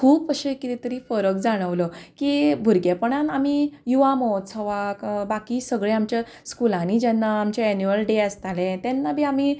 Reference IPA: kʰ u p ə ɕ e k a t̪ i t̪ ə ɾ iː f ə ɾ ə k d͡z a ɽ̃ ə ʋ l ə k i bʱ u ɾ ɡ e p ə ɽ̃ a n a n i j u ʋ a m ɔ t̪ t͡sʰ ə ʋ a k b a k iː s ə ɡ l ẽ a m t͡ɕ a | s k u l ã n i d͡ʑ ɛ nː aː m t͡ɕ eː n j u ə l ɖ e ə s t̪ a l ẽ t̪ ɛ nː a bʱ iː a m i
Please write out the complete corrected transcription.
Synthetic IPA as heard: kʰ uː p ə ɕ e k i t̪ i t̪ ə ɾ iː f ə ɾ ə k d͡z a ɽ̃ ə ʋ l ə k i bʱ u ɾ ɡ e p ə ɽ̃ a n a m i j u ʋ a m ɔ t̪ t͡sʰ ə ʋ a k b a k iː s ə ɡ ɭ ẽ a m t͡ɕ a | s k u l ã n i d͡ʑ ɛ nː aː m t͡ɕ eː n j u ə l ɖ e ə s t̪ a l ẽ t̪ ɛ nː a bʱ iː a m i

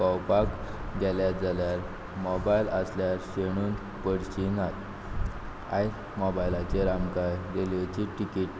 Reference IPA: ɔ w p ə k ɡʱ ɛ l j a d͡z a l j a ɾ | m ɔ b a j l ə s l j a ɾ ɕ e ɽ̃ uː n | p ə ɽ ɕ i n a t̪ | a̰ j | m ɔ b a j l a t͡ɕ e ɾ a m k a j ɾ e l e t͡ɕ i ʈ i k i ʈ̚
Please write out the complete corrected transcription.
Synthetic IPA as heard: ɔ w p a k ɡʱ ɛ l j a d͡z a l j a ɾ | m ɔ b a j l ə s l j a ɾ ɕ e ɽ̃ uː n | p ə ɽ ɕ i n a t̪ | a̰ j | m ɔ b a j l a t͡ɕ e ɾ a m k a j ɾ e l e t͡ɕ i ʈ i k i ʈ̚

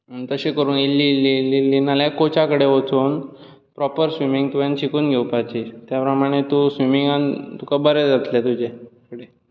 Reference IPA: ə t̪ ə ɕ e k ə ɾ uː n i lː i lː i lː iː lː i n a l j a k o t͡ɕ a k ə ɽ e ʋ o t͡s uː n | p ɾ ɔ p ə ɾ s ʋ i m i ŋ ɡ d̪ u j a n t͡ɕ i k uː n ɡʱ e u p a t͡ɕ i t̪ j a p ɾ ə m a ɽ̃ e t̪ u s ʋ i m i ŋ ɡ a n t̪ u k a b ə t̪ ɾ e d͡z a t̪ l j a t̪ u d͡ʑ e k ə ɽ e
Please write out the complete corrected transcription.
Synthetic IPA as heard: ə t̪ ə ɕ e k ə ɾ uː n i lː i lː i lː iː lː i n a l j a k o t͡ɕ a k ə ɽ e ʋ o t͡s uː n | p ɾ ɔ p ə ɾ s ʋ i m i ŋ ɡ t̪ u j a n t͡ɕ i k uː n ɡʱ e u p a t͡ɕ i t̪ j a p ɾ ə m a ɽ̃ e t̪ u s ʋ i m i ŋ ɡ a n t̪ u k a b ə ɾ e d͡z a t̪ l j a t̪ u d͡ʑ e k ə ɽ e

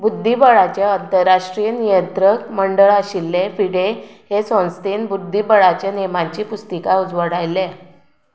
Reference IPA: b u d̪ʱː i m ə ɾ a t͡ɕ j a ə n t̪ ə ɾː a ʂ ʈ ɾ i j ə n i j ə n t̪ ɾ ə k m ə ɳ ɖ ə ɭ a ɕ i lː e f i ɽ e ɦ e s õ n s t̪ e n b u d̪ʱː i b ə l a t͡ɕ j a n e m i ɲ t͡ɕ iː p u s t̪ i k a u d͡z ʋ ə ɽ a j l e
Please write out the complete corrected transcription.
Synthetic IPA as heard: b u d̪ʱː i b ə ɭ a t͡ɕ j a ə n t̪ ə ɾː a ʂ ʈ ɾ i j ə n i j ə n t̪ ɾ ə k m ə ɳ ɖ ə ɭ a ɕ i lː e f i ɽ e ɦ e s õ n s t̪ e n b u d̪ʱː i b ə ɭ a t͡ɕ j a n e m a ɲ t͡ɕ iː p u s t̪ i k a u d͡z ʋ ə ɽ a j l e

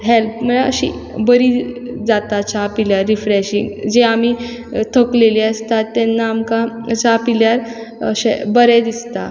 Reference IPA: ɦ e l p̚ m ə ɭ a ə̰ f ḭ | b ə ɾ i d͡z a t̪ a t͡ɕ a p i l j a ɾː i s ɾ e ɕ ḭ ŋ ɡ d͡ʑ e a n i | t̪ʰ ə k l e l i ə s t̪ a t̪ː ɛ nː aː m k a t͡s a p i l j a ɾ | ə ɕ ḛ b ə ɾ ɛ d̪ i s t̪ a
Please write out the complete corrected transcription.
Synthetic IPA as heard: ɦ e l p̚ m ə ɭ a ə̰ ɕ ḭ | b ə ɾ i d͡z a t̪ a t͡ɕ a p i l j a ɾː i f ɾ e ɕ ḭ ŋ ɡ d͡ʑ e a m i | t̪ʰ ə k l e l i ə s t̪ a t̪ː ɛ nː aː m k a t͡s a p i l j a ɾ | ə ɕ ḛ b ə ɾ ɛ d̪ i s t̪ a

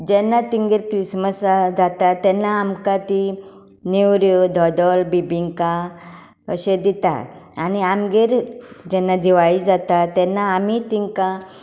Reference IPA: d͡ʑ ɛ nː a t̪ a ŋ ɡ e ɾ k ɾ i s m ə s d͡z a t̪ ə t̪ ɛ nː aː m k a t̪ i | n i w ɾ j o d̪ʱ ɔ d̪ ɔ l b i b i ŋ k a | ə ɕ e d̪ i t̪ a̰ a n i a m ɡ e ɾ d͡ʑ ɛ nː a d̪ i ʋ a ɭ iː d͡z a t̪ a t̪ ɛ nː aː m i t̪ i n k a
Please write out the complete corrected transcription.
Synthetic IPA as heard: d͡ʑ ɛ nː a t̪ i ŋ ɡ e ɾ k ɾ i s m ə s d͡z a t̪ a t̪ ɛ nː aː m k a t̪ i | n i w ɾ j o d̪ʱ ɔ d̪ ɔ l b i b i ŋ k a | ə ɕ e d̪ i t̪ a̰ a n i a m ɡ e ɾ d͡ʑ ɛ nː a d̪ i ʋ a ɭ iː d͡z a t̪ a t̪ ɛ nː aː m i t̪ i ŋ k a

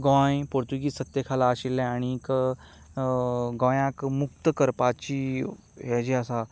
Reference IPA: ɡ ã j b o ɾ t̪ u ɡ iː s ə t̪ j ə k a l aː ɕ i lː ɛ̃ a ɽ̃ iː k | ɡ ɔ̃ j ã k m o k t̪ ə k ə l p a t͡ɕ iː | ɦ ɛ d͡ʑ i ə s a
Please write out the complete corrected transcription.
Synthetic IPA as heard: ɡ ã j p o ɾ t̪ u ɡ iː s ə t̪ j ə kʰ a l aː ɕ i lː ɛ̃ a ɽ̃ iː k | ɡ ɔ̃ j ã k m u k t̪ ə k ə ɾ p a t͡ɕ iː | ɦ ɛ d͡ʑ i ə s a

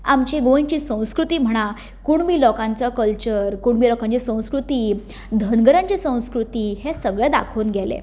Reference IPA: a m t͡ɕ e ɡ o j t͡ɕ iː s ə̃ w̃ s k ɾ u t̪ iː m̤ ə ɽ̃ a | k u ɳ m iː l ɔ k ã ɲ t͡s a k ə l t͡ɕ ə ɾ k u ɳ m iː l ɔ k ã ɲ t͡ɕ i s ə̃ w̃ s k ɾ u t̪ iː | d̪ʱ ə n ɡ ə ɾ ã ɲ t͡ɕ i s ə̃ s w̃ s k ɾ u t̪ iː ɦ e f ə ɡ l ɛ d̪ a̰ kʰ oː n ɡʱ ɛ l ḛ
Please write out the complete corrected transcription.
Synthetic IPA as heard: a m t͡ɕ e ɡ o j t͡ɕ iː s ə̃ w̃ s k ɾ u t̪ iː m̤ ə ɽ̃ a | k u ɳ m iː l ɔ k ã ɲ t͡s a k ə l t͡ɕ ə ɾ k u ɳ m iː l ɔ k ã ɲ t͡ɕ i s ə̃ w̃ s k ɾ u t̪ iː | d̪ʱ ə n ɡ ə ɾ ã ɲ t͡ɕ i s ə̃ w̃ s k ɾ u t̪ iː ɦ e s ə ɡ ɭ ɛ d̪ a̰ kʰ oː n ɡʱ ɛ l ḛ

